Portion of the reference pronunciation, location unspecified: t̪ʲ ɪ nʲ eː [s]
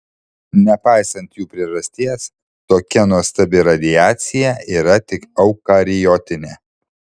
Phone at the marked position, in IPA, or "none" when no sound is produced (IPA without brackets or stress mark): none